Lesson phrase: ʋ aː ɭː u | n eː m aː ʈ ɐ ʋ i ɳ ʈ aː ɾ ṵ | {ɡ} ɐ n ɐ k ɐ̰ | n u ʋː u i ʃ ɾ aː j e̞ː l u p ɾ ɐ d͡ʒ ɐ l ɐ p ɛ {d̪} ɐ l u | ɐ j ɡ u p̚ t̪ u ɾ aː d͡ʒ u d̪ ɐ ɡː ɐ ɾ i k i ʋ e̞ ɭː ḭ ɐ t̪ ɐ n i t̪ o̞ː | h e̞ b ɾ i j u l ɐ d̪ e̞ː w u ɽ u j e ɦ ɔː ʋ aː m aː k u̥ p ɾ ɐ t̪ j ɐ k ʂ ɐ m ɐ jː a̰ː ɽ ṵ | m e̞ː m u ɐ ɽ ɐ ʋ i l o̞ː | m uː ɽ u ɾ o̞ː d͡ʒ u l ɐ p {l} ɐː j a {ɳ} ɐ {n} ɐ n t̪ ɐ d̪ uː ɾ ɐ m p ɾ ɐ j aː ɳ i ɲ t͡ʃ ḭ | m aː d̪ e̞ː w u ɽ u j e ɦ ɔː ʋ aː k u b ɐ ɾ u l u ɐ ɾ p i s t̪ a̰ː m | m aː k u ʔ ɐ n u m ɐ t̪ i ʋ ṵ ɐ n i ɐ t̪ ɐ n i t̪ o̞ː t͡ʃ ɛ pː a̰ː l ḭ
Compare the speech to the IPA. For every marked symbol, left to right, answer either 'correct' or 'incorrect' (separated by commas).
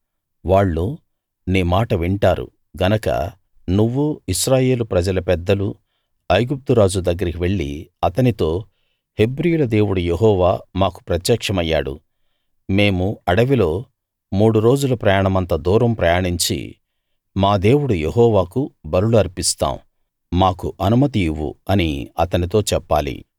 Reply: correct, incorrect, incorrect, correct, incorrect